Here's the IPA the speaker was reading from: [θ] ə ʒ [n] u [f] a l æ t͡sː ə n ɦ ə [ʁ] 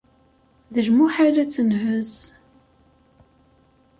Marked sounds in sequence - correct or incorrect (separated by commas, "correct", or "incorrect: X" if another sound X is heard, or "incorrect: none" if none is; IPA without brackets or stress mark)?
incorrect: ð, incorrect: m, incorrect: ħ, incorrect: z